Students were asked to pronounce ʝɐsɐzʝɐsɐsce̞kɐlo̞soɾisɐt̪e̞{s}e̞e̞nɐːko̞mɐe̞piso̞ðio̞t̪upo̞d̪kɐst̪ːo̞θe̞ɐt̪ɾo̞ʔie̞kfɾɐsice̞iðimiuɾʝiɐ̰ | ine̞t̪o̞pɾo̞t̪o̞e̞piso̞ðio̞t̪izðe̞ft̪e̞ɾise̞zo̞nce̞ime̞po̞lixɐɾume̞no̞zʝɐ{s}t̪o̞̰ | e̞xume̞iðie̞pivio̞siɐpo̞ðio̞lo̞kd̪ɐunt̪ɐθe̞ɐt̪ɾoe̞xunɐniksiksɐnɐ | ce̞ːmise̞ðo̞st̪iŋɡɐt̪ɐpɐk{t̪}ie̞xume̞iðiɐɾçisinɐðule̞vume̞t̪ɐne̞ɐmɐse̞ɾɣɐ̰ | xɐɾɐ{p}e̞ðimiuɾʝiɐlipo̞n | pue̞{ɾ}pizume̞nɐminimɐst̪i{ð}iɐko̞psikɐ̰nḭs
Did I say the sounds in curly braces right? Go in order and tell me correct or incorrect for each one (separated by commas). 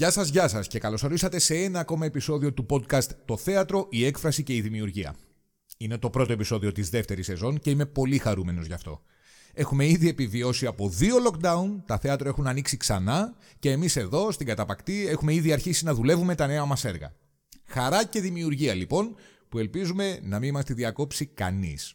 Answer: correct, incorrect, correct, incorrect, incorrect, correct